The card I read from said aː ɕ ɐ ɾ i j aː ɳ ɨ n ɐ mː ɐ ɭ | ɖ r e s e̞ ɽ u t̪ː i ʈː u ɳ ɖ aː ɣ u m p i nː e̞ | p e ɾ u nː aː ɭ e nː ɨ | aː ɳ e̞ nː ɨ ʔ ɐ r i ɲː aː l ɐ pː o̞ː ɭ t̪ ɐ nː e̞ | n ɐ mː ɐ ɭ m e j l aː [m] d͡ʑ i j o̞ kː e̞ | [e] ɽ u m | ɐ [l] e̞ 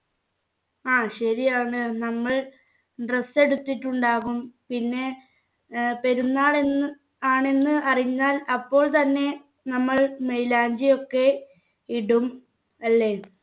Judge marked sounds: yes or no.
no, no, no

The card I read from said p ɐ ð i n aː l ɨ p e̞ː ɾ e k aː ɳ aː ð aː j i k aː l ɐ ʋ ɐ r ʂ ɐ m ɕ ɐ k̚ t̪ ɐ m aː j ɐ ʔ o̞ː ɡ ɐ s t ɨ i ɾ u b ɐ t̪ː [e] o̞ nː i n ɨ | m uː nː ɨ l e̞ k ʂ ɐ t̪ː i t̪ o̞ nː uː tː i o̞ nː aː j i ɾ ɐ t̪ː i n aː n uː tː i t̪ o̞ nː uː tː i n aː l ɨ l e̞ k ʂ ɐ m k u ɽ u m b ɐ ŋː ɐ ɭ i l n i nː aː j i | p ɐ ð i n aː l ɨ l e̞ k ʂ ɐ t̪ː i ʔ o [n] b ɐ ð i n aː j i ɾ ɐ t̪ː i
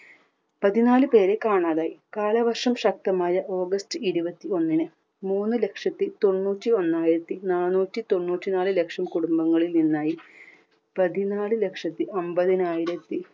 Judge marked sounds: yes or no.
no, no

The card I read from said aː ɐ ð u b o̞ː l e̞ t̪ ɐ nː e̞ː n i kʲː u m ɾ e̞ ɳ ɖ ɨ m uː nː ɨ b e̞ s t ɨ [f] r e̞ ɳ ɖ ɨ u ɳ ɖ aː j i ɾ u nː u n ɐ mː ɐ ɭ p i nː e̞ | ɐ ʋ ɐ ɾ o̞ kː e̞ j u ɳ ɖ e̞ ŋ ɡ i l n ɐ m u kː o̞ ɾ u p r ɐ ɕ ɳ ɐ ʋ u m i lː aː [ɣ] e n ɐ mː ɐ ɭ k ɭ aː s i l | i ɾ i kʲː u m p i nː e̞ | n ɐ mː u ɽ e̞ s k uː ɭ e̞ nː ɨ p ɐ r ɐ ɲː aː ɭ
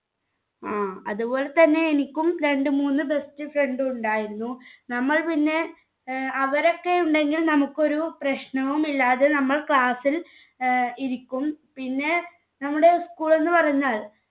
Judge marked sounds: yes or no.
yes, no

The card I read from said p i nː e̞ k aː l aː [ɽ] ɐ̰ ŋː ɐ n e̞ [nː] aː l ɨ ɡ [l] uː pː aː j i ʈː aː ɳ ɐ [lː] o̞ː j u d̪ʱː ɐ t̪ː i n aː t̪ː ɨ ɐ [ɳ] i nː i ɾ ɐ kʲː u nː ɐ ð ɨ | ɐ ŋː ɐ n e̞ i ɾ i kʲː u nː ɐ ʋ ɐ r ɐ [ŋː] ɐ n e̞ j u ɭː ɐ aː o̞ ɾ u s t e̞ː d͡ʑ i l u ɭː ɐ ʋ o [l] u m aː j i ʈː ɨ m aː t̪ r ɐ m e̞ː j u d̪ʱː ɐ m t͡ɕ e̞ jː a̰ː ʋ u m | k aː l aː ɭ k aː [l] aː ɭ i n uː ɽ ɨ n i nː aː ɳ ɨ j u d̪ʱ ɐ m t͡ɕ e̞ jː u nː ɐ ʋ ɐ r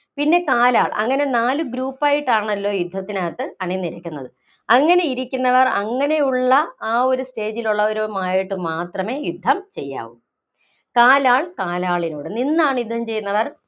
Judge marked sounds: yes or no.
no, no, no, yes, yes, yes, no, yes

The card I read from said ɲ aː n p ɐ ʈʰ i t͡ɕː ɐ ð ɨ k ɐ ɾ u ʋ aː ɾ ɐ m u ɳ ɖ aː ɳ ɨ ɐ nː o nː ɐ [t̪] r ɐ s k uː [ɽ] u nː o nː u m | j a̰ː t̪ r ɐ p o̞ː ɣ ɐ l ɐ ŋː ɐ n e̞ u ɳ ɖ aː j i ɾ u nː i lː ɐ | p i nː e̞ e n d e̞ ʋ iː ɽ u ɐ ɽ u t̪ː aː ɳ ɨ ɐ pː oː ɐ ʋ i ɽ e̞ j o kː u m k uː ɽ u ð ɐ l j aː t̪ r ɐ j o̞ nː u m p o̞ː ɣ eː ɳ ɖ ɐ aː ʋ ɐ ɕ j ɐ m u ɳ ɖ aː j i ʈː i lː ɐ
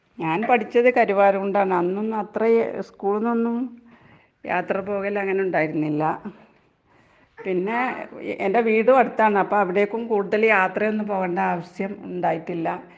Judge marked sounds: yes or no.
yes, no

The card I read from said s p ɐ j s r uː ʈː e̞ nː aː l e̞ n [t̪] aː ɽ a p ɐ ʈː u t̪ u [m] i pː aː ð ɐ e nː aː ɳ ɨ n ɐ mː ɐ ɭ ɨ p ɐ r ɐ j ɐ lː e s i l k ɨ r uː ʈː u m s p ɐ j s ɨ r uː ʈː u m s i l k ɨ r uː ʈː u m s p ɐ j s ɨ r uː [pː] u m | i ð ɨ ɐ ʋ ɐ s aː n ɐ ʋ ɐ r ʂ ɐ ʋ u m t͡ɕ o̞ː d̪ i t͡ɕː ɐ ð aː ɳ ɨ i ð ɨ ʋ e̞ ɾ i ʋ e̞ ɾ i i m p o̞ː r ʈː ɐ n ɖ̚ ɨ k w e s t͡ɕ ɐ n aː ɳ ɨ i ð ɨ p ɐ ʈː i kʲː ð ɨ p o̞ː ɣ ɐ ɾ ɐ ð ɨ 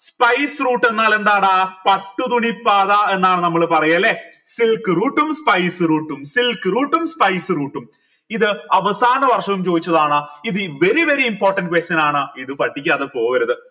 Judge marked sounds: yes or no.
no, no, no

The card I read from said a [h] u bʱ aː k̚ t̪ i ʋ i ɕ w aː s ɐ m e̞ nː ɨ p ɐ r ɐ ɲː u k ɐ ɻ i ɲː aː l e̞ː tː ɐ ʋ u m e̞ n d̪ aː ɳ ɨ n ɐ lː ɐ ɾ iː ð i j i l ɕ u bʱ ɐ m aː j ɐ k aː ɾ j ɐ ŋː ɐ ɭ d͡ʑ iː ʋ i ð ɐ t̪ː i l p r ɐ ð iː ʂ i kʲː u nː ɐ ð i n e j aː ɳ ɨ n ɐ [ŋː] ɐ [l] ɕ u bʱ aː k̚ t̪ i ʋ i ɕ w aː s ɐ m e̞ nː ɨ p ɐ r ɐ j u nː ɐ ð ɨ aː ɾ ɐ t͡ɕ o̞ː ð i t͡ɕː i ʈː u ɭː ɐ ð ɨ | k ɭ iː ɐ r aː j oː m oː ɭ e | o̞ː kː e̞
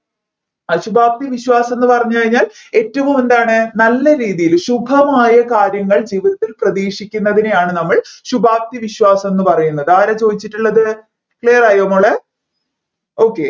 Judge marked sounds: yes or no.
no, no, no

